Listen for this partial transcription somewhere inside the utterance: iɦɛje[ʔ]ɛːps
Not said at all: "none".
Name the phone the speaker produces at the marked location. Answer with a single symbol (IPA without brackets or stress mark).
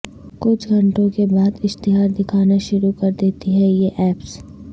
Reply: ʔ